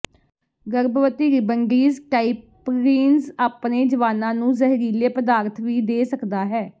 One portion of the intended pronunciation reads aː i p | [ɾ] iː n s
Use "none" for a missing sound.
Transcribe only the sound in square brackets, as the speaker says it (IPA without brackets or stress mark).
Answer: ɾ